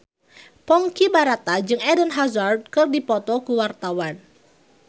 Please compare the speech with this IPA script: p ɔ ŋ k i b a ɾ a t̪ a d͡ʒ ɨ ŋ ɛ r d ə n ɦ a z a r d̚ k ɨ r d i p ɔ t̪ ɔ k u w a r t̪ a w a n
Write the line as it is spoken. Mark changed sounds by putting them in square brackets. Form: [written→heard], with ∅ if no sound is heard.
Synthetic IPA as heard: p ɔ ŋ k i b a ɾ a t̪ a d͡ʒ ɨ ŋ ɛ [r→∅] d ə n ɦ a z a r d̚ k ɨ r d i p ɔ t̪ ɔ k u w a r t̪ a w a n